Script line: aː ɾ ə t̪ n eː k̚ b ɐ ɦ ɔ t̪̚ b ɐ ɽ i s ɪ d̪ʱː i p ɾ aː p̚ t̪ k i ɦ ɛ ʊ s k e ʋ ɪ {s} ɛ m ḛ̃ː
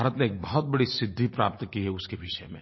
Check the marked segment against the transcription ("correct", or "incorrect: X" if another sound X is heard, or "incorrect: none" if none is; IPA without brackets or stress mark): incorrect: ʃ